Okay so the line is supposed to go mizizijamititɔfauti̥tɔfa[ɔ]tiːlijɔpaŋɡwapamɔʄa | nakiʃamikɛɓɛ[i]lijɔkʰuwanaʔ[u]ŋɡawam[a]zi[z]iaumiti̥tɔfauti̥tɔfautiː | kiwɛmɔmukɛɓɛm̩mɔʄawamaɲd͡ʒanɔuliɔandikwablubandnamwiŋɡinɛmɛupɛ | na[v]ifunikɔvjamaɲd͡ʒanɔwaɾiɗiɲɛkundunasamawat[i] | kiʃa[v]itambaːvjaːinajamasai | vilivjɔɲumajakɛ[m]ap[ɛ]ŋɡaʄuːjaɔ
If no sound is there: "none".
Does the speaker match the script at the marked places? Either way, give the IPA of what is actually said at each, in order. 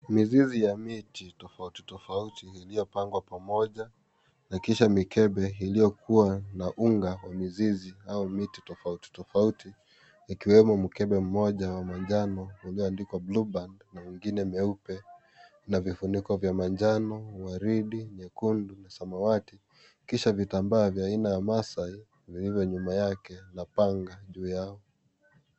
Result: u, i, u, i, z, v, i, v, n, a

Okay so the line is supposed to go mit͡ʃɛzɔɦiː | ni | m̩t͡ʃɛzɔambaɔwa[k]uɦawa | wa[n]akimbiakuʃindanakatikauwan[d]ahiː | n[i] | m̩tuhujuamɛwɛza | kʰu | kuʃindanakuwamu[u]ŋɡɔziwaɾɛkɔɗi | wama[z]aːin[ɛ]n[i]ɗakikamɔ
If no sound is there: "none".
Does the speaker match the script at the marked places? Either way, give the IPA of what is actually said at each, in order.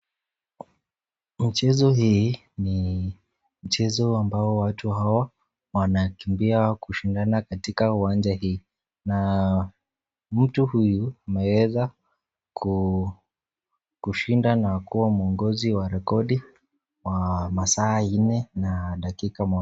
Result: t, n, d͡ʒ, a, ɔ, s, ɛ, a

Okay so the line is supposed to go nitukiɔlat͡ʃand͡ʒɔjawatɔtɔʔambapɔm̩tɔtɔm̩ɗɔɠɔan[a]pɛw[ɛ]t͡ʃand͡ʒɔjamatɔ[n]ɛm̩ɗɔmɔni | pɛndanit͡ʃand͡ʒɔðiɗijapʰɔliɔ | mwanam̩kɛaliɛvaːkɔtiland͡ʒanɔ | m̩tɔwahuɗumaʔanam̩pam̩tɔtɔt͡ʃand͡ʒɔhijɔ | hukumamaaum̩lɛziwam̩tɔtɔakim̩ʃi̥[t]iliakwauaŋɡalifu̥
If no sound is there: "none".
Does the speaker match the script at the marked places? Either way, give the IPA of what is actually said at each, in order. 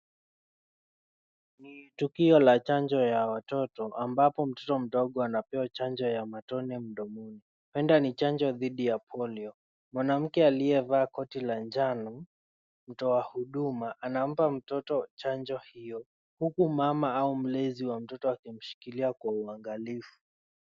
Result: a, a, n, k

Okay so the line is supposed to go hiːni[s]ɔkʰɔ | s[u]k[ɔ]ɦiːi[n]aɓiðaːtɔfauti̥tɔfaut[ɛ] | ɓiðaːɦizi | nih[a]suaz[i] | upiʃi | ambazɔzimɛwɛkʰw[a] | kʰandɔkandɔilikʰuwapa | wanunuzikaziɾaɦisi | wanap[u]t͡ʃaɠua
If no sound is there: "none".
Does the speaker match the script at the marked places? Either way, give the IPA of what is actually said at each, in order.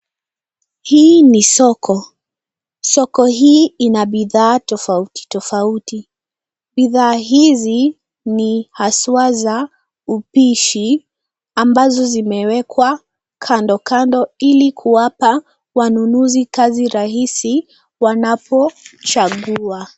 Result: s, ɔ, ɔ, n, i, a, a, a, ɔ

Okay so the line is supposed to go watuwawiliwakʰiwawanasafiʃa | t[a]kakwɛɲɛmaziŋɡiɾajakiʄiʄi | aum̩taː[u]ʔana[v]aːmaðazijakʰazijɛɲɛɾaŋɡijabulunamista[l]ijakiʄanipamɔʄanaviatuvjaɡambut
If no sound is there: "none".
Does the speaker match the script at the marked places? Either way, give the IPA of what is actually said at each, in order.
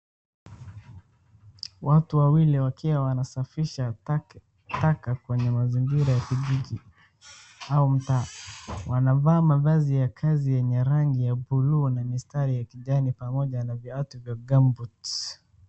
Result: a, w, v, ɾ

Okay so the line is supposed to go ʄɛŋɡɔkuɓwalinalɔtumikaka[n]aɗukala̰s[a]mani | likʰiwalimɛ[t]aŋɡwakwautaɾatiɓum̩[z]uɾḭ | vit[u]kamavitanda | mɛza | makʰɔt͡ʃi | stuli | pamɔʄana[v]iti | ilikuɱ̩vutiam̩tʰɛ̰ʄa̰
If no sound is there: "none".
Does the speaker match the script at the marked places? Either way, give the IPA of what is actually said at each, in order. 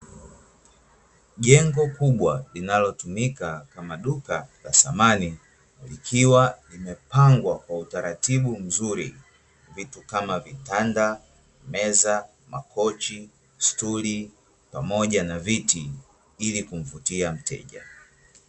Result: m, a, p, z, u, v

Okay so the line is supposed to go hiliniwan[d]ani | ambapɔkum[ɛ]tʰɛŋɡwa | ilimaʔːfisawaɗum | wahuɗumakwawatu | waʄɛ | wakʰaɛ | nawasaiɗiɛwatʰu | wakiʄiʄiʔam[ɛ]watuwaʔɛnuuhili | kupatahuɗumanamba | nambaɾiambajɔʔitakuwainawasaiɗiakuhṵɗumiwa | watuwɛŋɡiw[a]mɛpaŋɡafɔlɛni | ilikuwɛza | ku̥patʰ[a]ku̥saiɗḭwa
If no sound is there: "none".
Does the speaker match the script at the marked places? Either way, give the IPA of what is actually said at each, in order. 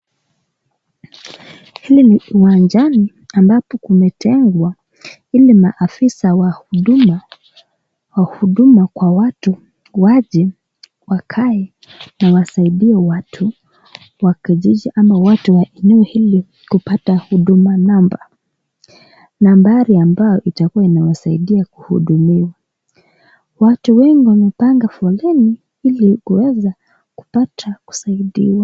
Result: d͡ʒ, ɛ, a, a, a

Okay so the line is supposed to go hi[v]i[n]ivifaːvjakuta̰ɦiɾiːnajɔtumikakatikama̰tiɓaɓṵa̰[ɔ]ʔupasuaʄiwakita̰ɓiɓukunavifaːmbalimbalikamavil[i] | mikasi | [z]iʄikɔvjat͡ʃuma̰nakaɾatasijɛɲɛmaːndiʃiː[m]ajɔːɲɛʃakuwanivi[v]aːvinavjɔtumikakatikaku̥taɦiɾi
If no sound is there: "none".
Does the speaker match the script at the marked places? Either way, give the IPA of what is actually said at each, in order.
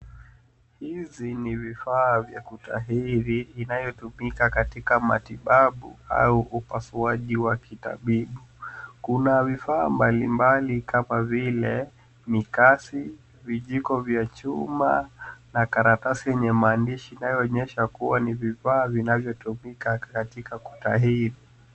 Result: z, n, u, ɛ, v, n, f

